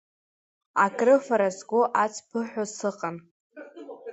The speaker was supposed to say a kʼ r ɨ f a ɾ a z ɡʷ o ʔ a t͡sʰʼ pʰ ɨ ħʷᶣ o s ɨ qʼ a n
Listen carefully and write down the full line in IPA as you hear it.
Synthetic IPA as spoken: a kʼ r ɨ f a ɾ a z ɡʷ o ʔ a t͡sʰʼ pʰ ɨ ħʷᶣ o s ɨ qʼ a n